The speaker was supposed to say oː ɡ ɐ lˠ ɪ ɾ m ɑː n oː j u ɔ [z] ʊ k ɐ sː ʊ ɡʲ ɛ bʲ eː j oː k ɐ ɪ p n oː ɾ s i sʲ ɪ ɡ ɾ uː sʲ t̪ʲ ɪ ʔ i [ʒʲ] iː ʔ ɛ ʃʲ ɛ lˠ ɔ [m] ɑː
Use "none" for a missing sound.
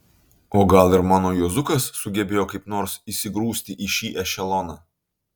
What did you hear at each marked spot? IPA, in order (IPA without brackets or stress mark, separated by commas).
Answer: z, ʃʲ, n